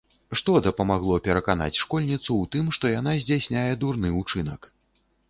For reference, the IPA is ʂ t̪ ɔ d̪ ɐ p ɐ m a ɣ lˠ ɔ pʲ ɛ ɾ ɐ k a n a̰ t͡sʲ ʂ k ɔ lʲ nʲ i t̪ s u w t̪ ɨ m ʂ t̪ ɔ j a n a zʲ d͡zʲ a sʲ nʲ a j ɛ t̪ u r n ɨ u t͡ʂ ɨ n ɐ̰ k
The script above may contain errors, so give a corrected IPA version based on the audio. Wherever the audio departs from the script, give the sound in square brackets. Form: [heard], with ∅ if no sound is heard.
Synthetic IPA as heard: ʂ t̪ ɔ d̪ ɐ p ɐ m a ɣ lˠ ɔ pʲ ɛ ɾ ɐ k a n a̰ t͡sʲ ʂ k ɔ lʲ nʲ i t̪ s u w t̪ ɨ m ʂ t̪ ɔ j a n a zʲ d͡zʲ a sʲ nʲ a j ɛ [d̪] u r n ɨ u t͡ʂ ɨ n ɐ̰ k

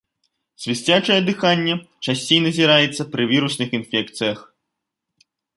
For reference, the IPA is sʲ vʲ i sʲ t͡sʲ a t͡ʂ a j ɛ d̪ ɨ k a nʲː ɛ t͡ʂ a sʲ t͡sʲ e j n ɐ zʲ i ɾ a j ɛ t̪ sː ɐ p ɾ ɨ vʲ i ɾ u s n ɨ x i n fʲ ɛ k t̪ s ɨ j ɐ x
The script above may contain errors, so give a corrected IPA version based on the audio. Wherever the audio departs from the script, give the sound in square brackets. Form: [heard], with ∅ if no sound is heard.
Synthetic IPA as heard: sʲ vʲ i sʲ t͡sʲ a t͡ʂ [ɐ] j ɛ d̪ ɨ [x] a nʲː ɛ t͡ʂ a sʲ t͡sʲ e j n ɐ zʲ i ɾ a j ɛ t̪ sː ɐ p ɾ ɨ vʲ i ɾ u s n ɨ x i n fʲ ɛ k t̪ s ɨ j ɐ x

